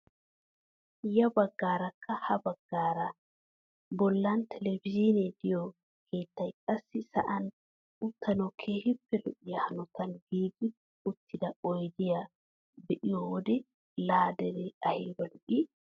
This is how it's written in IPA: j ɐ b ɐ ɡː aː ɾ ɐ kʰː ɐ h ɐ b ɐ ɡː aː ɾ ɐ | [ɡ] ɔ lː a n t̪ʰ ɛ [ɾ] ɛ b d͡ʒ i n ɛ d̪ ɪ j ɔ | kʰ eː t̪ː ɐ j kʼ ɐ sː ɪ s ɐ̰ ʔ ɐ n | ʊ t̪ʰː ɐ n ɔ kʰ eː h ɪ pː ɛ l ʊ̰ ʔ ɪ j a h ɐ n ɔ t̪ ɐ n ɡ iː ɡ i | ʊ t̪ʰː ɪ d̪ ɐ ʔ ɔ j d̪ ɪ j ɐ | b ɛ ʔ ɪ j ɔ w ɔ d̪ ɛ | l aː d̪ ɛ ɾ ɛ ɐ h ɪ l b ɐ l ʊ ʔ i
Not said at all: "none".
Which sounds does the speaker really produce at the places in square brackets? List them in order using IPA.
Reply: b, l

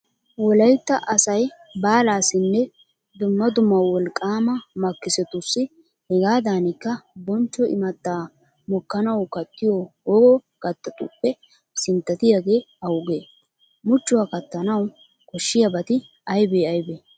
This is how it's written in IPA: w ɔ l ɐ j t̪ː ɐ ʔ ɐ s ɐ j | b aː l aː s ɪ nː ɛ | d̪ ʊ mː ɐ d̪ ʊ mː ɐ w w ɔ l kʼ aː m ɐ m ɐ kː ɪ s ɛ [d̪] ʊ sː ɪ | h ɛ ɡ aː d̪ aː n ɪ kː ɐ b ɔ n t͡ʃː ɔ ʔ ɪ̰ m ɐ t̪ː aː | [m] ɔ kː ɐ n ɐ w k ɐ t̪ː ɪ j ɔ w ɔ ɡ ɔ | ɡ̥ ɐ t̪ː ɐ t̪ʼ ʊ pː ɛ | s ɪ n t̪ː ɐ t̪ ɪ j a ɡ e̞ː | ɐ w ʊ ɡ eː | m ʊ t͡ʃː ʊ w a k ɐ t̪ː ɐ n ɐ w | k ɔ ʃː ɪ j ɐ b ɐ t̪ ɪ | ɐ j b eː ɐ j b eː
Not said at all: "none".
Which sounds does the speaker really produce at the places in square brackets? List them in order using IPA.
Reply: t̪, m

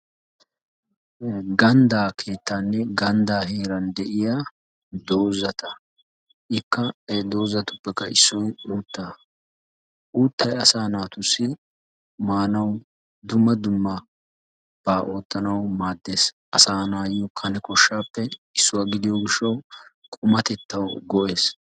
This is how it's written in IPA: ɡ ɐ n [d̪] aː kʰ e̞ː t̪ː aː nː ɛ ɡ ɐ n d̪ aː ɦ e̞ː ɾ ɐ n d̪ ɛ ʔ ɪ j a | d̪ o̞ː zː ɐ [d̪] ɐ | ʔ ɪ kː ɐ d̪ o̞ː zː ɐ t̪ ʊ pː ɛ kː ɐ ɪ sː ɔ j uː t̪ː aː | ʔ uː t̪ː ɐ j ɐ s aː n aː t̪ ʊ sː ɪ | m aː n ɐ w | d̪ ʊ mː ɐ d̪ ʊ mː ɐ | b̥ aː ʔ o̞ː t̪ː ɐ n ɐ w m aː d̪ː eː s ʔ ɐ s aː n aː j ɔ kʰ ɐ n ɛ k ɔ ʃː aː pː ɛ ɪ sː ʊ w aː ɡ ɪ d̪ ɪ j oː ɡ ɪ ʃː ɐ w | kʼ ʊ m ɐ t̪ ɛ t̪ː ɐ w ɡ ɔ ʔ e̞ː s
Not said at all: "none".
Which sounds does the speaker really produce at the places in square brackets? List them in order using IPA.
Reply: d̪, t̪

